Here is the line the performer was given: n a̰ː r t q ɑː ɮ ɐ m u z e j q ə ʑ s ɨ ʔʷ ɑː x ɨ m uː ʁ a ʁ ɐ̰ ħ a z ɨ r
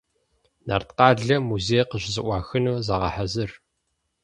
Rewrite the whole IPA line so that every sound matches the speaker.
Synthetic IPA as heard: n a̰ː r t q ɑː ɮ ɐ m u z e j q ə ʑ z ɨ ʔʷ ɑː x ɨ n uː z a ʁ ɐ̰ ħ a z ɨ r